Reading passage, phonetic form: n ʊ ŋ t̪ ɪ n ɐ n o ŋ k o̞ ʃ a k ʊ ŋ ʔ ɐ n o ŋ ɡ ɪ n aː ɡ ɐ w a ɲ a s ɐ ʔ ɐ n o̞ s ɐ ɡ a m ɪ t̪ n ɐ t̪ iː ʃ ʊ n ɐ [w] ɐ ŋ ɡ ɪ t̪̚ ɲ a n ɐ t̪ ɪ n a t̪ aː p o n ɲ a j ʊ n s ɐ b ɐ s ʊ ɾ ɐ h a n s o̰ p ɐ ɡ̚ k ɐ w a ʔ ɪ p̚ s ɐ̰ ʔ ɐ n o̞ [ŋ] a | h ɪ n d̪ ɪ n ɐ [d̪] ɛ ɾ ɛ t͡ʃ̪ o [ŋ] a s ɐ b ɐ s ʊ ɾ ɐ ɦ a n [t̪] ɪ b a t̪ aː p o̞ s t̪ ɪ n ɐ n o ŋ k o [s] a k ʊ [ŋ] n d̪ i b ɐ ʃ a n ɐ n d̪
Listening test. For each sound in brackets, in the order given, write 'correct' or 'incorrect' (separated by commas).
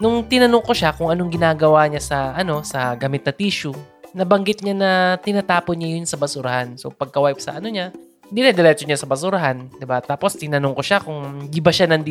incorrect, incorrect, correct, incorrect, incorrect, incorrect, correct